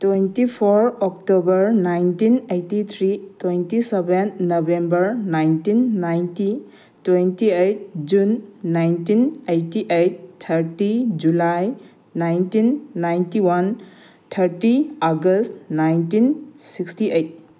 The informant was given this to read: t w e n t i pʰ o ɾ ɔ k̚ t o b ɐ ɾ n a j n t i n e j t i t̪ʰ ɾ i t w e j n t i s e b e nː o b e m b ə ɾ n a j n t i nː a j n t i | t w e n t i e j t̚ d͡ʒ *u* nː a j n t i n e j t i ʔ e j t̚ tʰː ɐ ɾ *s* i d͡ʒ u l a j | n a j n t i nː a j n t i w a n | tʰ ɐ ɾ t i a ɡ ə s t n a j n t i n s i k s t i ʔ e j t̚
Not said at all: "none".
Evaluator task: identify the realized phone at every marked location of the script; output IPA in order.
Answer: u, t

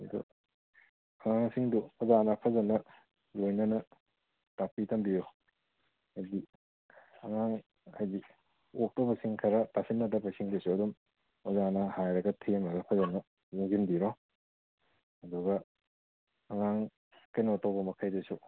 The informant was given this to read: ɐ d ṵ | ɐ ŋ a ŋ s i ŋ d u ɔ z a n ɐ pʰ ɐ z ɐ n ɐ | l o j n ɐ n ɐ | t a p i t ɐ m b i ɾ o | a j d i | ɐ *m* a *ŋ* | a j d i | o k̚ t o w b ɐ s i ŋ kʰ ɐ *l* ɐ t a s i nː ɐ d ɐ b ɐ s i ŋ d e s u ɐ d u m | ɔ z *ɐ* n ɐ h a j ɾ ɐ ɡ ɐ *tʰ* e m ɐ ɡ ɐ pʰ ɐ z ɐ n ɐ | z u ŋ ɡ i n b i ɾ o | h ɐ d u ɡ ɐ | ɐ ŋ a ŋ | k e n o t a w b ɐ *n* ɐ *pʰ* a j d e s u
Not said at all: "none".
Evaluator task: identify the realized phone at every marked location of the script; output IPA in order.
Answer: ŋ, ŋ, ɾ, a, tʰ, m, kʰ

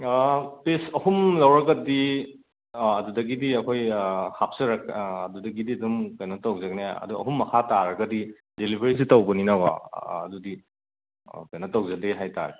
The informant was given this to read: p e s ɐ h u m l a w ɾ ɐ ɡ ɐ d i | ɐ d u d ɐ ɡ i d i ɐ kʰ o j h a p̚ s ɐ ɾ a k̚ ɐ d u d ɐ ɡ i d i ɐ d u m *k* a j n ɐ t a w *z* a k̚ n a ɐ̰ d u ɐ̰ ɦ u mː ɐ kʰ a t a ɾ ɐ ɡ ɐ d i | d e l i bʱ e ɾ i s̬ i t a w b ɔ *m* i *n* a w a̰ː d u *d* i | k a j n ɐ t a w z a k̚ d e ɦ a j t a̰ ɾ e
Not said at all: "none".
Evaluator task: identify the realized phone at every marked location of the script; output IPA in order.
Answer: k, z, n, n, d

